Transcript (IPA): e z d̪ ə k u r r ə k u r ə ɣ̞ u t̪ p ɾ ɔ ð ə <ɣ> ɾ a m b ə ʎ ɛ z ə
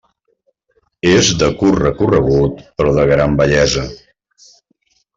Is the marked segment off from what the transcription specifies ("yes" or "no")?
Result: no